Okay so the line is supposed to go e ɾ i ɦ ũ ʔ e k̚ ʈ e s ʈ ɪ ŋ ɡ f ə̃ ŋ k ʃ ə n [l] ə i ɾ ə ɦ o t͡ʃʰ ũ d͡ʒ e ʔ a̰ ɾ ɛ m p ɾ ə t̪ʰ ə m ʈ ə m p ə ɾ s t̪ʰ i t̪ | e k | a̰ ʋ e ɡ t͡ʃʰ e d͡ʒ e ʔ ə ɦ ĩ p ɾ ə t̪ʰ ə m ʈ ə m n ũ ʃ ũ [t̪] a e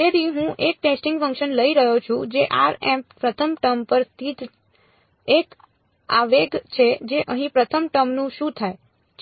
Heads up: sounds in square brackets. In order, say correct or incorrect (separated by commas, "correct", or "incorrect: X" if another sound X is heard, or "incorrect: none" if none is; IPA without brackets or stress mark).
correct, incorrect: t̪ʰ